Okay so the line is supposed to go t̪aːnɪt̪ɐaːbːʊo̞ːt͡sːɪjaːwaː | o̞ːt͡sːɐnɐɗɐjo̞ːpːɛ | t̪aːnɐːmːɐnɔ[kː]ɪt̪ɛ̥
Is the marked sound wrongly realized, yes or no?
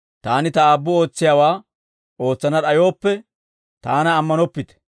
yes